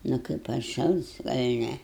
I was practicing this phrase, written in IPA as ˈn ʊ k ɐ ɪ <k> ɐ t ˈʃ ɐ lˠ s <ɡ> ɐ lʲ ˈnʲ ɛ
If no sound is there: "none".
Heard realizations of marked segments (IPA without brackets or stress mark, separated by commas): p, ɡ